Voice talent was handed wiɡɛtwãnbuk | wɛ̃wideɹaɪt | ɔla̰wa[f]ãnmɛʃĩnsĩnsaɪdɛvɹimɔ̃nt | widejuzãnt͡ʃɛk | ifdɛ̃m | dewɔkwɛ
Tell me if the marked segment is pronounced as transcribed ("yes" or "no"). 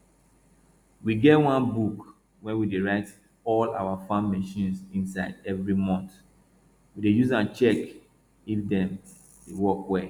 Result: yes